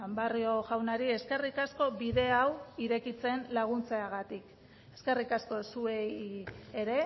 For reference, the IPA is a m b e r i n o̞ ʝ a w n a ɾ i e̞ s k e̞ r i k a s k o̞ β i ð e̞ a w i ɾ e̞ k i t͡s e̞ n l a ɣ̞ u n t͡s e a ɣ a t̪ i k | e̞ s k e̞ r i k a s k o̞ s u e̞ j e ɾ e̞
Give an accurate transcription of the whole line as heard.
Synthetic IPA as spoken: a m b a r i o̞ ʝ a w n a ɾ i e̞ s k e̞ r i k a s k o̞ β i ð e̞ a w i ɾ e̞ k i t͡s e̞ n l a ɣ̞ u n t͡s e a ɣ a t̪ i k | e̞ s k e̞ r i k a s k o̞ s u e̞ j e ɾ e̞